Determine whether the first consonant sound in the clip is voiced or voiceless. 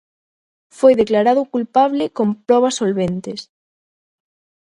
voiceless